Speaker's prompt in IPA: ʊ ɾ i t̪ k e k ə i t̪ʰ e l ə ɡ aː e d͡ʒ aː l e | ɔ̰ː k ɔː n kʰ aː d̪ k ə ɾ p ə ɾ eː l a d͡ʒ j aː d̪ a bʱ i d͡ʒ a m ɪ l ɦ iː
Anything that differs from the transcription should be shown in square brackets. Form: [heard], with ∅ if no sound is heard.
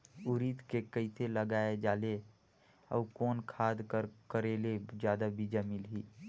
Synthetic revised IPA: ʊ ɾ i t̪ k e k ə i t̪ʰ e l ə ɡ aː e d͡ʒ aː l e | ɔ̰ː k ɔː n kʰ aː d̪ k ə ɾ [k] ə ɾ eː l [e] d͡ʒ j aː d̪ a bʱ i d͡ʒ a m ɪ l ɦ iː